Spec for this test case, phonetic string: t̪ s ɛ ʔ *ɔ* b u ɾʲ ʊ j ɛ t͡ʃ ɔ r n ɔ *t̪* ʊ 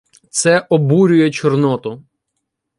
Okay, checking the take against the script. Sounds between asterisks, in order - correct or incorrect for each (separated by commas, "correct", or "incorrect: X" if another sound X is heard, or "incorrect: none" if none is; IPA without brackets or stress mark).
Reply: correct, correct